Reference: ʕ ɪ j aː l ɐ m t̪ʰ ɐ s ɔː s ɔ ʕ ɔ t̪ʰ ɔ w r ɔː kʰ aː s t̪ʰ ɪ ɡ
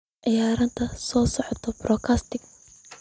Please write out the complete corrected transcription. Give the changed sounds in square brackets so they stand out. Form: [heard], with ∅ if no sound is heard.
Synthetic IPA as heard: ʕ ɪ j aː [ɾ] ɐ [n] t̪ʰ ɐ s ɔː s ɔ ʕ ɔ t̪ʰ ɔ [b] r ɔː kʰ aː s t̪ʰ ɪ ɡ